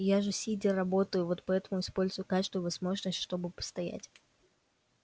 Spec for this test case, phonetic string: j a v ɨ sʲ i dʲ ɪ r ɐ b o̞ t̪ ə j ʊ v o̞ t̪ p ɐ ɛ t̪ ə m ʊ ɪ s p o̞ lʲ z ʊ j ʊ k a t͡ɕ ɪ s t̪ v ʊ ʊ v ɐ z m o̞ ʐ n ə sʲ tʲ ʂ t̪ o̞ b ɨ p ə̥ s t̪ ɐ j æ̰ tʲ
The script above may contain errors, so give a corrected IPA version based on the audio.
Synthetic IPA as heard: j a ʐ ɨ sʲ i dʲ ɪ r ɐ b o̞ t̪ ə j ʊ v o̞ t̪ p ɐ ɛ t̪ ə m ʊ ɪ s p o̞ lʲ z ʊ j ʊ k a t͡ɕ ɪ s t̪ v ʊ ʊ v ɐ z m o̞ ʐ n ə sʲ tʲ ʂ t̪ o̞ b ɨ p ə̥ s t̪ ɐ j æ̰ tʲ

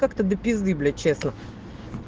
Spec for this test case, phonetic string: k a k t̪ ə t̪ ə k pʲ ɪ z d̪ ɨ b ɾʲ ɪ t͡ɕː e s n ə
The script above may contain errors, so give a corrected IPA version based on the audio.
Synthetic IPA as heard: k a k t̪ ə d̪ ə pʲ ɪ z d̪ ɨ b lʲ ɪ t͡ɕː e s n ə

